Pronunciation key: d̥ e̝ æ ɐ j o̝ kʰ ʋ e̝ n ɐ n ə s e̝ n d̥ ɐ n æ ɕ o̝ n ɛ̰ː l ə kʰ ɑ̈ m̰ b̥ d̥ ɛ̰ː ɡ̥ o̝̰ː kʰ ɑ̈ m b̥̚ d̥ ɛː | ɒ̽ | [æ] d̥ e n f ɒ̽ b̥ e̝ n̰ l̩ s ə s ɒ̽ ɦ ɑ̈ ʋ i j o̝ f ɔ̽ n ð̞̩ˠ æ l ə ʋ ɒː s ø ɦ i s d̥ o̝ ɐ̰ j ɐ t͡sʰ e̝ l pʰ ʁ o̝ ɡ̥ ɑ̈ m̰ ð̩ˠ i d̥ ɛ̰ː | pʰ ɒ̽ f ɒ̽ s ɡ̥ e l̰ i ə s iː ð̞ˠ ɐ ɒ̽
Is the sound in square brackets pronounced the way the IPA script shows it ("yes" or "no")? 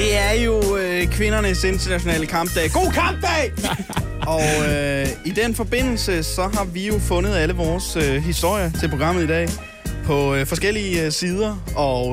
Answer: no